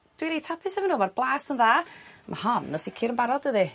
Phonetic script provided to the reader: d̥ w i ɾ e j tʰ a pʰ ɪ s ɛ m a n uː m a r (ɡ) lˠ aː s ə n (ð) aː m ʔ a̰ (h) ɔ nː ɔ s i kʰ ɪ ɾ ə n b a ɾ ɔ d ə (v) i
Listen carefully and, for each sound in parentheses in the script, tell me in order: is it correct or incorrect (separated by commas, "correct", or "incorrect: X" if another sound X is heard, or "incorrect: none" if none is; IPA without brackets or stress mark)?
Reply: incorrect: b, correct, correct, incorrect: ð